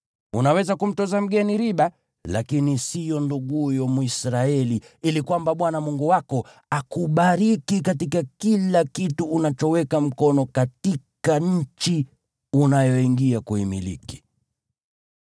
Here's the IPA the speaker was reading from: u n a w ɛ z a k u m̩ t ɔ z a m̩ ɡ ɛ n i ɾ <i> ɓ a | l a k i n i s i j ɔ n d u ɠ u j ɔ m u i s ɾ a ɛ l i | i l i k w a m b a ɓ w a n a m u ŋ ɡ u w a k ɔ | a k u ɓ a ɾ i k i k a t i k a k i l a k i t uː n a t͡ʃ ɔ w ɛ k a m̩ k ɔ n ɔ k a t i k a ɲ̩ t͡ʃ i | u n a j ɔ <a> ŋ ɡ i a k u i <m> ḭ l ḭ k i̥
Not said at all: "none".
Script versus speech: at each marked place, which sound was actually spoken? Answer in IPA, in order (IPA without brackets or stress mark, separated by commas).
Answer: i, i, m